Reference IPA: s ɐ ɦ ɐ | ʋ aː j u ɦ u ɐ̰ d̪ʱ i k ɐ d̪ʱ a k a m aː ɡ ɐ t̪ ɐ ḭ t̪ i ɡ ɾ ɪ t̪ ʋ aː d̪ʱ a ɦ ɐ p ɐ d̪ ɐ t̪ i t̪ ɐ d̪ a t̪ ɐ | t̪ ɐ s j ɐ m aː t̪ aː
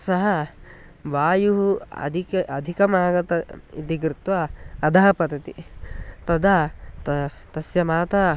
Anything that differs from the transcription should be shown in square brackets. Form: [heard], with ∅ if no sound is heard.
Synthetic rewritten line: s ɐ ɦ ɐ | ʋ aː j u ɦ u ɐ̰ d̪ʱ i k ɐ d̪ʱ [i] k [ɐ] m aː ɡ ɐ t̪ ɐ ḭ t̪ i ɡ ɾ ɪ t̪ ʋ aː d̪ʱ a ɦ ɐ p ɐ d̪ ɐ t̪ i t̪ ɐ d̪ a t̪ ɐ | t̪ ɐ s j ɐ m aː t̪ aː